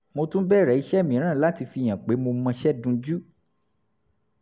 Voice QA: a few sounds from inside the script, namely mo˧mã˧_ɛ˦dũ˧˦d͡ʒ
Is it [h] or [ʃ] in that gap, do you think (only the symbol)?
ʃ